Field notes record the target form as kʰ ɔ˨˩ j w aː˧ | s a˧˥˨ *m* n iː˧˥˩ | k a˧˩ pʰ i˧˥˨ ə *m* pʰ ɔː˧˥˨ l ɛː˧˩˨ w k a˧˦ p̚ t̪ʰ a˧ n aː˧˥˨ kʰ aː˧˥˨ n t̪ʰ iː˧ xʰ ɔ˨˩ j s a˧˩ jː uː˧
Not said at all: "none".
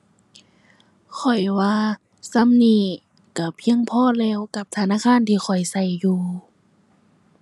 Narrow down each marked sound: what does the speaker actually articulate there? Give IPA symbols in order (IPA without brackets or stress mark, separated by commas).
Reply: m, ŋ